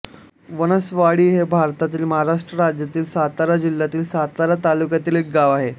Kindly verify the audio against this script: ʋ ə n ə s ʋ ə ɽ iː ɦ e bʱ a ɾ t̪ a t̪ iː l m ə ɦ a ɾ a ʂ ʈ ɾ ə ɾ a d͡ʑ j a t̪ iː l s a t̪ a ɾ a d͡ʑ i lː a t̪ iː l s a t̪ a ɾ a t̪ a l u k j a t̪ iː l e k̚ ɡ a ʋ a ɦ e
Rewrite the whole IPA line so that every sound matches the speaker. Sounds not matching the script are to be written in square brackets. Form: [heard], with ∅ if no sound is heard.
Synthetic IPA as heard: ʋ ə n ə s ʋ [a] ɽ iː ɦ e bʱ a ɾ t̪ a t̪ iː l m ə ɦ a ɾ a ʂ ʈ ɾ ə ɾ a d͡ʑ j a t̪ iː l s a t̪ a ɾ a d͡ʑ i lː a t̪ iː l s a t̪ a ɾ a t̪ a l u k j a t̪ iː l e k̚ ɡ a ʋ a ɦ e